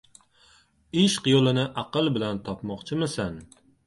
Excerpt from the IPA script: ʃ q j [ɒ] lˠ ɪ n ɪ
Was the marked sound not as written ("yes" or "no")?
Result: yes